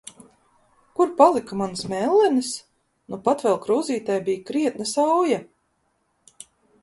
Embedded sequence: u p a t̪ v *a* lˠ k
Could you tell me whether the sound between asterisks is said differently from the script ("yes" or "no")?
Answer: yes